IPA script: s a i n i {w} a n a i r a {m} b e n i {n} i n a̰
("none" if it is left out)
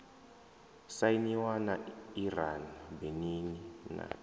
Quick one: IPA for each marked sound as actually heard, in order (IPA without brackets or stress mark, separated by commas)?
w, n, n